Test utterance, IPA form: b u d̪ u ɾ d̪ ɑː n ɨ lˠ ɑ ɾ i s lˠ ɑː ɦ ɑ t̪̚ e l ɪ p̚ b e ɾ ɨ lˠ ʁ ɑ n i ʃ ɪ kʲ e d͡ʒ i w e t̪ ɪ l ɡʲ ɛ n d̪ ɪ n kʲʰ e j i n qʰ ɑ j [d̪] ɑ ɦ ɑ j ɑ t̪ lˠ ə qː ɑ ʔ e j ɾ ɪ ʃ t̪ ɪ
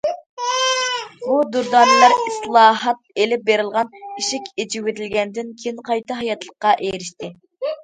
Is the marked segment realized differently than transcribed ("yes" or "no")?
yes